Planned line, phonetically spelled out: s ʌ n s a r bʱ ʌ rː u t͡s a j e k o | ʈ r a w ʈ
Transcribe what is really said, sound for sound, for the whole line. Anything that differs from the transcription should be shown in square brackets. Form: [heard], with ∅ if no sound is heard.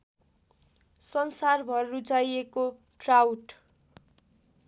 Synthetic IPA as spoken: s ʌ n s a r bʱ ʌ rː u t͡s a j e k o | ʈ r a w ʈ